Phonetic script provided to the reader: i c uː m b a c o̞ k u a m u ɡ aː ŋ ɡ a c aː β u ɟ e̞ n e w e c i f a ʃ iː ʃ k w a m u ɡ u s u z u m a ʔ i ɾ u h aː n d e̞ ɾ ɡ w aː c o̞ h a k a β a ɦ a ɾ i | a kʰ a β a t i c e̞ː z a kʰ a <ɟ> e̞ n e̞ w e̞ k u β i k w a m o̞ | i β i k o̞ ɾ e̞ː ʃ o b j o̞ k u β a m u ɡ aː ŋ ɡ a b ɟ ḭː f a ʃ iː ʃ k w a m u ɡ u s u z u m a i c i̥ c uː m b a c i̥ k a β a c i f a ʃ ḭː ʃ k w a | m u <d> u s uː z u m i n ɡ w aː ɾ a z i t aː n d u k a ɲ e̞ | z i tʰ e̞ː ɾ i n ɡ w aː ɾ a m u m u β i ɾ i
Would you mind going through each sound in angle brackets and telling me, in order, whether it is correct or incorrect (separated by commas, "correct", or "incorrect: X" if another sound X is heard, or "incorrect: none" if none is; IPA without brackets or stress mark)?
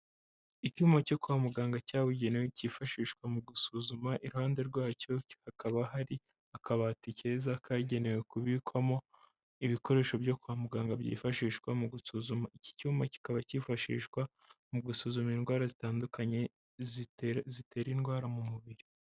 correct, incorrect: ɡ